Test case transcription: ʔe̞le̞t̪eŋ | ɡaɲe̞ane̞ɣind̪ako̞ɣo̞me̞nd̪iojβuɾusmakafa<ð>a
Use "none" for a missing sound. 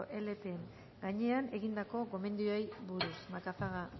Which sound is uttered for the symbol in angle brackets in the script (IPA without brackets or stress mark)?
ɣ